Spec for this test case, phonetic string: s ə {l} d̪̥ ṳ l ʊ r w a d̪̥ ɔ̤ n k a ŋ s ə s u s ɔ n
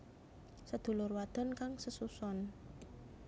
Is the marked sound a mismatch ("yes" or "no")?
yes